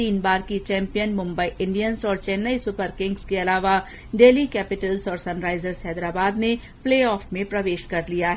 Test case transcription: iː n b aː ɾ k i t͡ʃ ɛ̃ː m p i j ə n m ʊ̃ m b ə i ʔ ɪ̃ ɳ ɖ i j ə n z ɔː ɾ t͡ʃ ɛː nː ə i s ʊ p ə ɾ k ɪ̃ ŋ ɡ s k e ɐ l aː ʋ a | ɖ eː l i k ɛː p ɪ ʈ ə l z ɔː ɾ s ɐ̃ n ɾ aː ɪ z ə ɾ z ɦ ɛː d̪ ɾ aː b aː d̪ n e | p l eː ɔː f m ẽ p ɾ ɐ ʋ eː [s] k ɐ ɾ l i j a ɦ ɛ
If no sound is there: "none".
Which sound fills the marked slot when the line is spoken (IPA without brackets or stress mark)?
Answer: ʃ